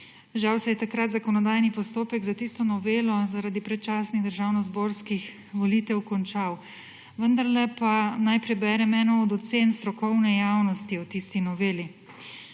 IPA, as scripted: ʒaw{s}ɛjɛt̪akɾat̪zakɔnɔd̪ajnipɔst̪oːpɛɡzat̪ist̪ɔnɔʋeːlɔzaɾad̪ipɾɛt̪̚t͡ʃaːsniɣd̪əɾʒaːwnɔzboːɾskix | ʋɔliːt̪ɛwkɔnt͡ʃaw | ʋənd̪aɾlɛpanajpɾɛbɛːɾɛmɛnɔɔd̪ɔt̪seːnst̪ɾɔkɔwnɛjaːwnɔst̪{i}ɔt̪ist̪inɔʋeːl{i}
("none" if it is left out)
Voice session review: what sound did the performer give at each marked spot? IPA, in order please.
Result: s, i, i

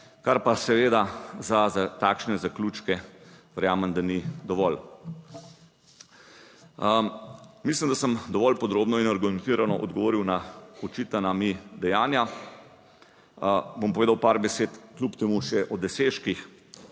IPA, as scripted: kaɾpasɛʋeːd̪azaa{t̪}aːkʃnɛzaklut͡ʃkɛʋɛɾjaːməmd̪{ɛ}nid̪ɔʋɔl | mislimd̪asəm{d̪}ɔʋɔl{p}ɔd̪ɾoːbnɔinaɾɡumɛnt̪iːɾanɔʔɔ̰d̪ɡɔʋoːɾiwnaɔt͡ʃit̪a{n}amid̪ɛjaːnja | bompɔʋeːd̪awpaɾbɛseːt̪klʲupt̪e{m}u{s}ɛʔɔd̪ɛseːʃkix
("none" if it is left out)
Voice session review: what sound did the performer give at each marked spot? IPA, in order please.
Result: t̪, a, d̪, p, n, m, ʃ

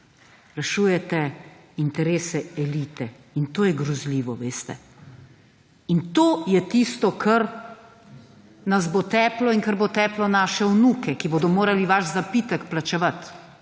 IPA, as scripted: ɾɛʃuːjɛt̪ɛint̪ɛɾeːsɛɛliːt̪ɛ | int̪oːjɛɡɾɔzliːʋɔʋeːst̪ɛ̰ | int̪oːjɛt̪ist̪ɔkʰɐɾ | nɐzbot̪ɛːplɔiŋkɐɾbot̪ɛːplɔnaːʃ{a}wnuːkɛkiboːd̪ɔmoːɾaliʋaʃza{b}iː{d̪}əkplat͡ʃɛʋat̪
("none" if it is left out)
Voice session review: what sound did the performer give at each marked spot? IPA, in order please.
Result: ɛ, p, t̪

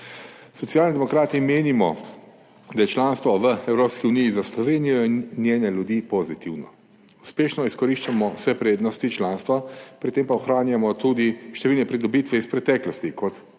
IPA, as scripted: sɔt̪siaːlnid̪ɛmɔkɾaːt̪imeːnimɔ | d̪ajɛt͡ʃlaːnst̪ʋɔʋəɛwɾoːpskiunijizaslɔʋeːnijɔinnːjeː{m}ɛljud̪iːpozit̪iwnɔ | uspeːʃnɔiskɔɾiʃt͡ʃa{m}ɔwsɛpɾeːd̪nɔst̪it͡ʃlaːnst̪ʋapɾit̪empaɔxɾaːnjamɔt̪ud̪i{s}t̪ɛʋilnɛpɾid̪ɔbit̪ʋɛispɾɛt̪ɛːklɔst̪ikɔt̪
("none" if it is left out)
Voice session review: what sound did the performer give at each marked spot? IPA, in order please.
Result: n, m, ʃ

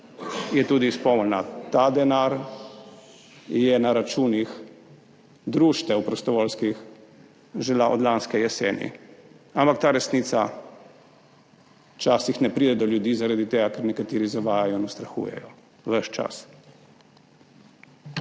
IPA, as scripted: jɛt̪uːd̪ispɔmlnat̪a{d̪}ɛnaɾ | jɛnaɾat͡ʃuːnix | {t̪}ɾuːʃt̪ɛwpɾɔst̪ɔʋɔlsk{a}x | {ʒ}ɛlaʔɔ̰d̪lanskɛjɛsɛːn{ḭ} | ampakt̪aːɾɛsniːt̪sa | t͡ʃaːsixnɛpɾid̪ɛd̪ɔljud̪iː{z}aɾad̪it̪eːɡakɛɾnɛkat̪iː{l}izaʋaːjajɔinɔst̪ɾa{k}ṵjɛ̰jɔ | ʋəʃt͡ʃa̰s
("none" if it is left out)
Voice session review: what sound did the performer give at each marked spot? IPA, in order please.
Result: d̪, d̪, i, ʒ, ḭ, z, ɾ, x

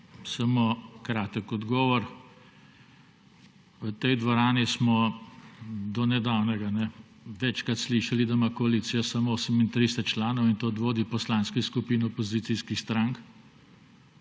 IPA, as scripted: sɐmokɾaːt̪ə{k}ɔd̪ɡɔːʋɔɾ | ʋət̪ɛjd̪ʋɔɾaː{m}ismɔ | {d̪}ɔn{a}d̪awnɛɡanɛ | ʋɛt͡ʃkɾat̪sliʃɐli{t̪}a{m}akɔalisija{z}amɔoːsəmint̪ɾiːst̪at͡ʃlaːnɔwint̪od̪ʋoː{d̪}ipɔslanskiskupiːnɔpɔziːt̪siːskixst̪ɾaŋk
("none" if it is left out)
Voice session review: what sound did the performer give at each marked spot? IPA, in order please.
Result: k, n, d̪, ɛ, d̪, m, s, d̪

